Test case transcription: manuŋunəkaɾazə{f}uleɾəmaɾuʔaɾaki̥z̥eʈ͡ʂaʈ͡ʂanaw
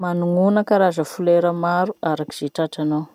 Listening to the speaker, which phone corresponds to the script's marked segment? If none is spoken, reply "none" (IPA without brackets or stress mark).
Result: f